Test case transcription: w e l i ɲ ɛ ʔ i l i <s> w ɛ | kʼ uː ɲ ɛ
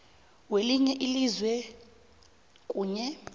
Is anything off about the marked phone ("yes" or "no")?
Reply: yes